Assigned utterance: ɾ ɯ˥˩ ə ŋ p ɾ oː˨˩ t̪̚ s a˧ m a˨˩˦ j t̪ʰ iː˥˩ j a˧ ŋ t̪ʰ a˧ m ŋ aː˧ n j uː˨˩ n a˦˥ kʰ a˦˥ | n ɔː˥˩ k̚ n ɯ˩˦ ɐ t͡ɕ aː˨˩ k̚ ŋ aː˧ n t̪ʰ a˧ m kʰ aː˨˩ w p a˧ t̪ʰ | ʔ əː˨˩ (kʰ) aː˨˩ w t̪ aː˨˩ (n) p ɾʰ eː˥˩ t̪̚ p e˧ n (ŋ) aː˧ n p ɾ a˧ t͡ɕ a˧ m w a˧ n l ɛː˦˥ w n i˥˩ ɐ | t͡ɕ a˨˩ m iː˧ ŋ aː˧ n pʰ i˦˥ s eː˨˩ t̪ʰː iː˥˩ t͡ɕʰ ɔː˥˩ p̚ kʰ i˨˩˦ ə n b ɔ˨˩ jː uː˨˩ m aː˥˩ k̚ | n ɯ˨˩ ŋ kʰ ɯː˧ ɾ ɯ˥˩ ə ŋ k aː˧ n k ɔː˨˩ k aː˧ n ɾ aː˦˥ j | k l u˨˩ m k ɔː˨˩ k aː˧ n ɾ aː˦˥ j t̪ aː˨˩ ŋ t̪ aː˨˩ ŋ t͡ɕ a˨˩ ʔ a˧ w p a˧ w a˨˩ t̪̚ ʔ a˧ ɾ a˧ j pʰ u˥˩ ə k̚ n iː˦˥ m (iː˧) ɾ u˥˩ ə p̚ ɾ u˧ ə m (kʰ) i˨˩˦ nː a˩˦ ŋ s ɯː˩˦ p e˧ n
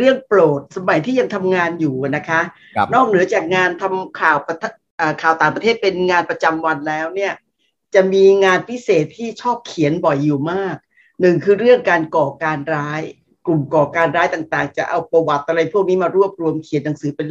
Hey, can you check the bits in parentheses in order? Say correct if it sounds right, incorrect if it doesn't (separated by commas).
correct, incorrect, correct, incorrect, correct